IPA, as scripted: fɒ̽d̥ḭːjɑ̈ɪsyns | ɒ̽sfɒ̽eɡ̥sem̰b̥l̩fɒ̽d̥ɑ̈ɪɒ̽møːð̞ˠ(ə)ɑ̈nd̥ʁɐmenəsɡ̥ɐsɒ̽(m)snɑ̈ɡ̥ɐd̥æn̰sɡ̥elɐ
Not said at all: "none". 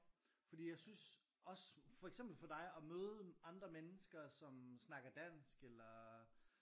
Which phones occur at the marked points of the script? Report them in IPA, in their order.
ə, m

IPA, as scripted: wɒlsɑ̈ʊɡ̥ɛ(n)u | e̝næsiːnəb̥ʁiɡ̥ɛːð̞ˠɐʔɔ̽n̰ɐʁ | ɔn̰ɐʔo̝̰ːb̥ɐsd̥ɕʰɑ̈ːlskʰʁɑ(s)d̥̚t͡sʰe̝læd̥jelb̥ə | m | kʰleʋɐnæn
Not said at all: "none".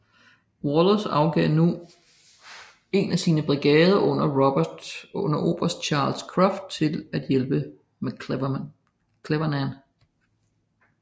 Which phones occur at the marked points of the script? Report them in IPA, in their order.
n, f

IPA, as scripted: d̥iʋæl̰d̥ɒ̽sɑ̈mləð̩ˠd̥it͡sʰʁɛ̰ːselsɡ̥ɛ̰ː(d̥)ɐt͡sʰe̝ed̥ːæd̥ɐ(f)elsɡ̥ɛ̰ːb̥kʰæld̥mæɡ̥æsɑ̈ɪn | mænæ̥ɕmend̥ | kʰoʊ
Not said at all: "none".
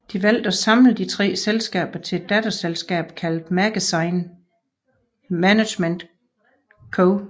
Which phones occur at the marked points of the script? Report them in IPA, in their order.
b̥, s

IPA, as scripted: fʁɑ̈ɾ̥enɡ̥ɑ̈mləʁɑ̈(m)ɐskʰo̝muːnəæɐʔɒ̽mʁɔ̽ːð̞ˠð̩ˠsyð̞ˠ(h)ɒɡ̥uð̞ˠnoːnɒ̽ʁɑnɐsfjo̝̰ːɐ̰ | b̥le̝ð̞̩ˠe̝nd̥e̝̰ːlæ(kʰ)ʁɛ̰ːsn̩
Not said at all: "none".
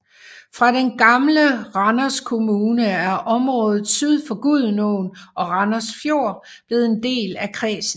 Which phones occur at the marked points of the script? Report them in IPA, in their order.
n, f, kʰ

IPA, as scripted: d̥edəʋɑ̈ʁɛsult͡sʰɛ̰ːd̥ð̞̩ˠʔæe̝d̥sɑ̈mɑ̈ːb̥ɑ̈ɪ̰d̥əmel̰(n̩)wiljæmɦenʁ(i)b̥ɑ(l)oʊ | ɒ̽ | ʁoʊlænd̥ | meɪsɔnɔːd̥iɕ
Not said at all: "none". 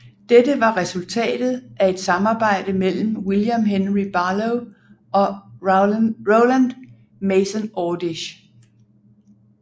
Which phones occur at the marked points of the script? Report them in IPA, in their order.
m̩, i, l

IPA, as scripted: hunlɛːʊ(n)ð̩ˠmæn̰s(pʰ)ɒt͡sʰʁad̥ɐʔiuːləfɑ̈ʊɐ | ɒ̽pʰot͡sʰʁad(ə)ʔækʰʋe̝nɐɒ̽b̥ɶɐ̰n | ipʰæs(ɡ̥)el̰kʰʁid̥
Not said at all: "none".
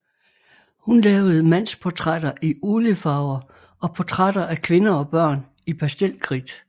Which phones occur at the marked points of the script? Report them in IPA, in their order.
none, pʰ, ɐ, d̥

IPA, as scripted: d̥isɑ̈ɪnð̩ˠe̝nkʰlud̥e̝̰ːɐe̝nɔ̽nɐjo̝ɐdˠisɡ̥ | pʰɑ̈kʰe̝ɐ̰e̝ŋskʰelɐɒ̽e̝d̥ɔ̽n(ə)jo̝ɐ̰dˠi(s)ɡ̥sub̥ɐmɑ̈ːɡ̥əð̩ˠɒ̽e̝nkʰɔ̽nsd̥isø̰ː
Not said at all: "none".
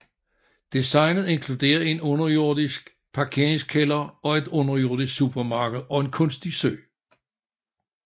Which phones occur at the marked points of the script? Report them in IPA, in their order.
ɐ, s

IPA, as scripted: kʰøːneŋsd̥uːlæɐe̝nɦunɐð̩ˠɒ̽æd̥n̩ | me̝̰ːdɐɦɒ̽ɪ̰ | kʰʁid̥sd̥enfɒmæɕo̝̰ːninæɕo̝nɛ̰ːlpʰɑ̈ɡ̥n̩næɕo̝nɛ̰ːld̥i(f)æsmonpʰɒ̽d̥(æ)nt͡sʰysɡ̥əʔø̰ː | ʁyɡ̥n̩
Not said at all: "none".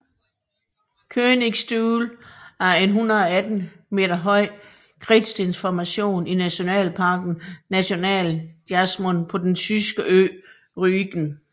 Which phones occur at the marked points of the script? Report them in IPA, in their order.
none, e

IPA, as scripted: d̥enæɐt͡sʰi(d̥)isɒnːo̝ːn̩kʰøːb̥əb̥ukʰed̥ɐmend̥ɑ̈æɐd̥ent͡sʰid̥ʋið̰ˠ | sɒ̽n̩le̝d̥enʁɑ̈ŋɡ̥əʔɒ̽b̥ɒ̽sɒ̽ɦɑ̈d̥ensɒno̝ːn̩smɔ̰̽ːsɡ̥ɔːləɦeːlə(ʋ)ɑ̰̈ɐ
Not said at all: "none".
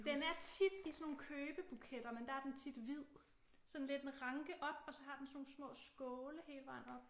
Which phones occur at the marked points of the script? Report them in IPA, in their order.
d̥, ʋ

